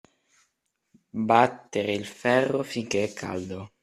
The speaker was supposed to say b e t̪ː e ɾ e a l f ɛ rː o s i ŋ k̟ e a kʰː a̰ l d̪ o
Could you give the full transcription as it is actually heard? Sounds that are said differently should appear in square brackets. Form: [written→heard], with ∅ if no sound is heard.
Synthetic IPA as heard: b [e→a] t̪ː e ɾ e [a→i] l f ɛ rː o [s→f] i ŋ k̟ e [a→ɛ] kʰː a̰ l d̪ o